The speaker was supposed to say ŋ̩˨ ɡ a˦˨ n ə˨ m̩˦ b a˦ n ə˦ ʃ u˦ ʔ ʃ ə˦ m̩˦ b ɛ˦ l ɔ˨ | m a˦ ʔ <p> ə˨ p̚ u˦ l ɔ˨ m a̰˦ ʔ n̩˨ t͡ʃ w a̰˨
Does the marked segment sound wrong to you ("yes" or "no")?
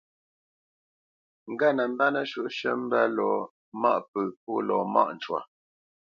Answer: no